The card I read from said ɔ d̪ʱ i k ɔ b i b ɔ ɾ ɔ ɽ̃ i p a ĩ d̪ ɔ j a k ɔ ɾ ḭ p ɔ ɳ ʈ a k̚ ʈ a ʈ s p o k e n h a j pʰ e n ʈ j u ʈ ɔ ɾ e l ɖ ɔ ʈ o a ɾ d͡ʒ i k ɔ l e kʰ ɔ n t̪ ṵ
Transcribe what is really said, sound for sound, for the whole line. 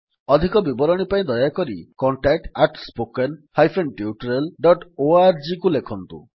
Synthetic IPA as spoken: ɔ d̪ʱ i k ɔ b i b ɔ ɾ ɔ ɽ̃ i p a ĩ d̪ ɔ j a k ɔ ɾ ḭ k ɔ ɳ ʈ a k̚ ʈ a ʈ s p o k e n h a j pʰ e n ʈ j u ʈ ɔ ɾ e l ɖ ɔ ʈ o a ɾ d͡ʒ i k u l e kʰ ɔ n t̪ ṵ